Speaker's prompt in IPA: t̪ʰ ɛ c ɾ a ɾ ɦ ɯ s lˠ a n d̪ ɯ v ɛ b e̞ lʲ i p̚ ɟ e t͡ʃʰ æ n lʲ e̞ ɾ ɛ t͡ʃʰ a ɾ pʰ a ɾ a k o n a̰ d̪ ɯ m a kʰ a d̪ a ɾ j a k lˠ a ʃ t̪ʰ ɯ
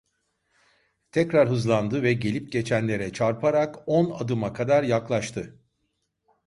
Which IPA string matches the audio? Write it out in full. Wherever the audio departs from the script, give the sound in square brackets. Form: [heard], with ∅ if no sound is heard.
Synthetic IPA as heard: t̪ʰ ɛ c ɾ a ɾ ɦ ɯ [z] lˠ a n d̪ ɯ v ɛ [ɟ] e̞ lʲ i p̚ ɟ e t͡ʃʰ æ n lʲ e̞ ɾ ɛ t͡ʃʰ a ɾ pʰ a ɾ a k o n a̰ d̪ ɯ m a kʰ a d̪ a ɾ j a k lˠ a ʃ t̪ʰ ɯ